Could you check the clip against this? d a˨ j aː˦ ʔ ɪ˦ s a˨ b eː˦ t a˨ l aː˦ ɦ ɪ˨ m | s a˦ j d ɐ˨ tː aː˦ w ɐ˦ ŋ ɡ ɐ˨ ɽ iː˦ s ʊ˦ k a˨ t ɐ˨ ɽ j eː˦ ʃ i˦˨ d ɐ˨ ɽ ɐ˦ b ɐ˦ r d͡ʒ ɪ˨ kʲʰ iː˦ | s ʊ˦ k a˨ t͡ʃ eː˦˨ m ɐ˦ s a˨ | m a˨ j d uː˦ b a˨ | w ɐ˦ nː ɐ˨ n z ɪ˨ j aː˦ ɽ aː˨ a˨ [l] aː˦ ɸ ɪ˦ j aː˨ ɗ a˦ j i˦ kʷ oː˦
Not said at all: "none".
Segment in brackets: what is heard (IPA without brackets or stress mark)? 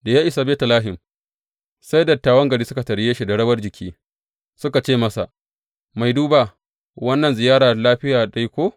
l